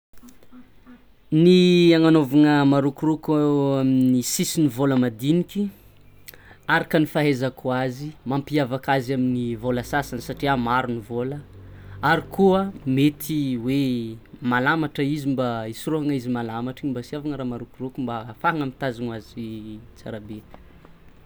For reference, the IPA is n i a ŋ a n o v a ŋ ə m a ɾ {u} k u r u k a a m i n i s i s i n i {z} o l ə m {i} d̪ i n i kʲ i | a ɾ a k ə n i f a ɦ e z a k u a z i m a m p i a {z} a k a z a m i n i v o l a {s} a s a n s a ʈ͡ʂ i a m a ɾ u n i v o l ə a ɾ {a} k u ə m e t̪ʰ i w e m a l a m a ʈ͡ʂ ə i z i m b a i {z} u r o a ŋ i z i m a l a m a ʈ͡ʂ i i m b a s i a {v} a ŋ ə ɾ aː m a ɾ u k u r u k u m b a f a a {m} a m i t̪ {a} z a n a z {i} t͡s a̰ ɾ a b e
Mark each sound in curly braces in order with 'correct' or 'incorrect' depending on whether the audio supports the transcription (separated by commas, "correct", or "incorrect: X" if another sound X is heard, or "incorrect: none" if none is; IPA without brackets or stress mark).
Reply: correct, incorrect: v, incorrect: a, incorrect: v, correct, incorrect: i, incorrect: s, correct, incorrect: ŋ, correct, correct